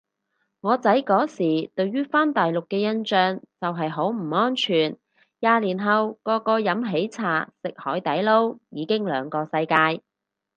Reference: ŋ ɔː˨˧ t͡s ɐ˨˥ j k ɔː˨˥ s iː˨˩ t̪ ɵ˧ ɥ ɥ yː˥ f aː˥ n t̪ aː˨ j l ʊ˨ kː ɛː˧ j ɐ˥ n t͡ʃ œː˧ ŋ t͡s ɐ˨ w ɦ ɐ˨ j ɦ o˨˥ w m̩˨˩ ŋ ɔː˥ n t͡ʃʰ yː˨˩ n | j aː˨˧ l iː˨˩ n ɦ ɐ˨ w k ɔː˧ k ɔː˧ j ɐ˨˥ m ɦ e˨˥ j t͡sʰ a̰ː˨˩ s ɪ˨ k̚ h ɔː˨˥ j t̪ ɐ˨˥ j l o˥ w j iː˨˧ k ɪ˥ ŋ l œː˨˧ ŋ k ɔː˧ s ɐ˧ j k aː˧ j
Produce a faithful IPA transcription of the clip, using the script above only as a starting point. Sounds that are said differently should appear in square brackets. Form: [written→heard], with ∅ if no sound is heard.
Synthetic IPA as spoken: ŋ ɔː˨˧ t͡s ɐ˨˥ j k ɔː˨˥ s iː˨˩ t̪ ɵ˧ ɥ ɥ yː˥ f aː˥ n t̪ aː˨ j l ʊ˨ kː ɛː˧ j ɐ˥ n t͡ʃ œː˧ ŋ t͡s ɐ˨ w ɦ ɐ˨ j ɦ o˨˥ w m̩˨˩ ŋ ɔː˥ n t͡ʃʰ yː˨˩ n | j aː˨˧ l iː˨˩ n ɦ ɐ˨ w k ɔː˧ k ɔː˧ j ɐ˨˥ m ɦ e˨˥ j t͡sʰ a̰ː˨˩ s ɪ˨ k̚ h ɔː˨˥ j t̪ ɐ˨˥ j l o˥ w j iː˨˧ k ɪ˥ ŋ l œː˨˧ ŋ k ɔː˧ s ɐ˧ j k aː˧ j